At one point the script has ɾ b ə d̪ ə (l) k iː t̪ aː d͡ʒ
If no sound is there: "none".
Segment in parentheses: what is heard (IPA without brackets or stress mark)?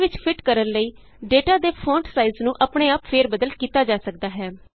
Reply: l